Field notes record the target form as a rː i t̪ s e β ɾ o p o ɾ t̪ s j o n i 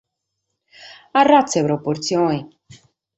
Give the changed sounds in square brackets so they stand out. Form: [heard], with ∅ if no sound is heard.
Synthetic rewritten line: a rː [a] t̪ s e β ɾ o p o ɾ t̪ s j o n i